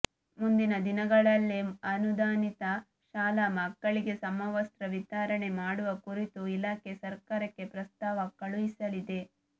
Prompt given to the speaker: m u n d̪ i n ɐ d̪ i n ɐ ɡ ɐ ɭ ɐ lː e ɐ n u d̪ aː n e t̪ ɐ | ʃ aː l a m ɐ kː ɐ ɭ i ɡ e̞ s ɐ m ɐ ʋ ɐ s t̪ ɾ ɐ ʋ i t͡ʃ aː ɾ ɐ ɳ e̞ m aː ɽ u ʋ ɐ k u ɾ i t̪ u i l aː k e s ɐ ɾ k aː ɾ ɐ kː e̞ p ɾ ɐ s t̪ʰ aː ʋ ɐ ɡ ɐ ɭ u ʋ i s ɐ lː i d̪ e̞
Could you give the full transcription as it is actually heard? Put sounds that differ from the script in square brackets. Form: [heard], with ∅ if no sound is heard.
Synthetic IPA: m u n d̪ i n ɐ d̪ i n ɐ ɡ ɐ ɭ ɐ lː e ɐ n u d̪ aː n [i] t̪ ɐ | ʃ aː l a m ɐ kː ɐ ɭ i ɡ e̞ s ɐ m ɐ ʋ ɐ s t̪ ɾ ɐ ʋ i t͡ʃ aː ɾ ɐ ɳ e̞ m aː ɽ u ʋ ɐ k u ɾ i t̪ u i l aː k e s ɐ ɾ k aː ɾ ɐ kː e̞ p ɾ ɐ s [t̪] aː ʋ ɐ [k] ɐ ɭ u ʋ i s ɐ [l] i d̪ e̞